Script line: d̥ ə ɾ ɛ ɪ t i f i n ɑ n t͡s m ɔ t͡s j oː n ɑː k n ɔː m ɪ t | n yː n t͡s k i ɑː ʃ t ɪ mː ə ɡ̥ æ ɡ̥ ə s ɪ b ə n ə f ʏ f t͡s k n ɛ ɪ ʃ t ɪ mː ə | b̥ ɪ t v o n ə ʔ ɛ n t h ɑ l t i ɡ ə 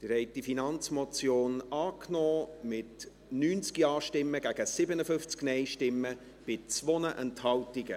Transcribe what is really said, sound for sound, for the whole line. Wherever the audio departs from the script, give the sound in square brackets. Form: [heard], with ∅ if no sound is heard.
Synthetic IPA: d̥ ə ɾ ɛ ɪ t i f i n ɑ n t͡s m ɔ t͡s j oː n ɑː k n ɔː m ɪ t | n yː n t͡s k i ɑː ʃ t ɪ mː ə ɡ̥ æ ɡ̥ ə s ɪ b ə n ə f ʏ f t͡s k n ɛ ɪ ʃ t ɪ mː ə | b̥ ɪ [t͡s] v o n ə ʔ ɛ n t h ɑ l t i ɡ ə